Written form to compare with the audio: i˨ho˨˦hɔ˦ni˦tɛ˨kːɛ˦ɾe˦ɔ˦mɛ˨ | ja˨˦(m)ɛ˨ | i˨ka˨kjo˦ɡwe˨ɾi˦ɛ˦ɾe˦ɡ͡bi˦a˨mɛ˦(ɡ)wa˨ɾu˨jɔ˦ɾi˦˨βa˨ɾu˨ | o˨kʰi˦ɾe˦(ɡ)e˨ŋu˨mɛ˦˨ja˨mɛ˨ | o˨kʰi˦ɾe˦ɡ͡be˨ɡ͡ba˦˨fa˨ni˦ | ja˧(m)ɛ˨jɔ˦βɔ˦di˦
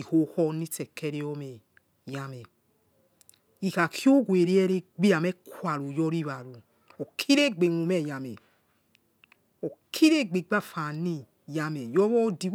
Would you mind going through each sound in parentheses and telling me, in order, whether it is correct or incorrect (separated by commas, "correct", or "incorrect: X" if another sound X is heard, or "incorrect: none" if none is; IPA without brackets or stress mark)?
correct, incorrect: k, incorrect: ɡ͡b, correct